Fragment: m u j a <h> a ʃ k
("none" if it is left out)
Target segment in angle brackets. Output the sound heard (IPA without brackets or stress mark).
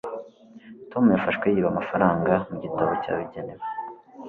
f